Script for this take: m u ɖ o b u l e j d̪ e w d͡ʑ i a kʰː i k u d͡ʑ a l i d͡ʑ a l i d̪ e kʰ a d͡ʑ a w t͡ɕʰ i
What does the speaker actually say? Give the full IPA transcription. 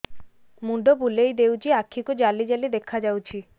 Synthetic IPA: m u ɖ o b u l e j d̪ e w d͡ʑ i a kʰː i k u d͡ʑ a l i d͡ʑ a l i d̪ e kʰ a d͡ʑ a w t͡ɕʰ i